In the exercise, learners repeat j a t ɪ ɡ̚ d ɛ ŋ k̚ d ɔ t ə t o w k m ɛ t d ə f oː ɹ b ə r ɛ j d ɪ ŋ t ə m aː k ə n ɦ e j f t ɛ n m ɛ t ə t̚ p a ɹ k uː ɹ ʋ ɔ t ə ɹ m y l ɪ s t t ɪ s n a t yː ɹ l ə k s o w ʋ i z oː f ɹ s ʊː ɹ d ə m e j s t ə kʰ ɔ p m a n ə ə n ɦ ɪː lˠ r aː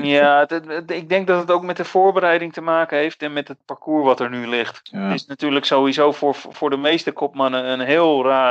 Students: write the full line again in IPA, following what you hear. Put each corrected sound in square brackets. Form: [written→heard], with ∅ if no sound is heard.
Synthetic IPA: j a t ɪ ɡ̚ d ɛ ŋ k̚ d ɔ t ə t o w k m ɛ t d ə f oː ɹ b ə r ɛ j d ɪ ŋ t ə m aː k ə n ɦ e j f t ɛ n m ɛ t ə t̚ p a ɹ k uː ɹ ʋ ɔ t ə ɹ [m→n] y l ɪ [s→x] t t ɪ s n a t yː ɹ l ə k s o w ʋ i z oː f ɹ [s→f] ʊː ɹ d ə m e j s t ə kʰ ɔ p m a n ə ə n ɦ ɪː lˠ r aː